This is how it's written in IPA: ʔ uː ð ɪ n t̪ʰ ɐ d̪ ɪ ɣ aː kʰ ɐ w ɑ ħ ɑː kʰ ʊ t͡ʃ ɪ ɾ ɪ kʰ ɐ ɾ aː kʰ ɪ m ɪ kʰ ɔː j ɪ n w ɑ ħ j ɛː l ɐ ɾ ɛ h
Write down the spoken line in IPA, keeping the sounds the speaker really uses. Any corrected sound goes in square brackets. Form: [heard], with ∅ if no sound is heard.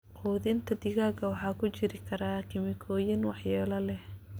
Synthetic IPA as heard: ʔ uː ð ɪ n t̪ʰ ɐ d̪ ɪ ɣ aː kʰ ɐ w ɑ ħ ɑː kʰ ʊ t͡ʃ ɪ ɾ ɪ kʰ ɐ ɾ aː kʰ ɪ m ɪ kʰ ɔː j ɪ n w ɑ ħ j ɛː l ɐ [l] ɛ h